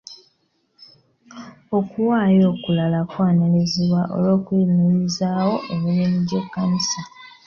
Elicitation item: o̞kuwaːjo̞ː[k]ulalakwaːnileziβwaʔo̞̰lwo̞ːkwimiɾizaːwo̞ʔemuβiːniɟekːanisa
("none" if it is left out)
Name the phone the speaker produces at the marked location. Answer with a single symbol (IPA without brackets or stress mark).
k